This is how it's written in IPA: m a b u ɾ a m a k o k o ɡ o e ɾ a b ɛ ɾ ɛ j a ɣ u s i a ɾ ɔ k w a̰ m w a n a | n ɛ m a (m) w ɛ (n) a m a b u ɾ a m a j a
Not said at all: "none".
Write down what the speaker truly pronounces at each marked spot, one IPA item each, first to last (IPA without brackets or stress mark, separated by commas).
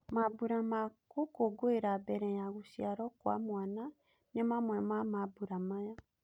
m, m